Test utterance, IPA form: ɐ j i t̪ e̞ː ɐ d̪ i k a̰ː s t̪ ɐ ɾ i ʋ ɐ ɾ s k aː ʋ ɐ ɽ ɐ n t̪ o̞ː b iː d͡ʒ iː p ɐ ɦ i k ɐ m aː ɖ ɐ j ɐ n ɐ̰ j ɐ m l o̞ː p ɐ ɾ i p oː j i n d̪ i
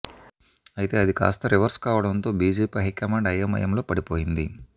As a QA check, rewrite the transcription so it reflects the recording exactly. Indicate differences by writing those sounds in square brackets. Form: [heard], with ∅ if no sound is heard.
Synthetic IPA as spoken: ɐ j i t̪ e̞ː ɐ d̪ i k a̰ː s t̪ ɐ ɾ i ʋ ɐ ɾ s k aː ʋ ɐ ɽ ɐ n t̪ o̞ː b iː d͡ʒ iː p ɐ ɦ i k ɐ m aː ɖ ɐ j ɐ [m] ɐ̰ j ɐ m l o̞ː p ɐ [ɽ] i p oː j i n d̪ i